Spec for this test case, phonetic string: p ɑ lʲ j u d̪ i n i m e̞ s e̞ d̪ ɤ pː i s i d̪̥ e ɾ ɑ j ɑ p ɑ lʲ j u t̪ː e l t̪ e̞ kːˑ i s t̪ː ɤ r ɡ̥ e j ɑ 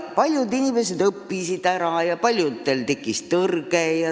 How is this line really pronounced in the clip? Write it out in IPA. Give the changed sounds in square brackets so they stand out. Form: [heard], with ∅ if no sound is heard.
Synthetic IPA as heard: p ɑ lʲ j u d̪ i n i m e̞ s e̞ d̪ ɤ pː i s i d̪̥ [æ] ɾ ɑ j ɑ p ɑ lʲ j u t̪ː e l t̪ e̞ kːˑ i s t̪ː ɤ r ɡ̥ e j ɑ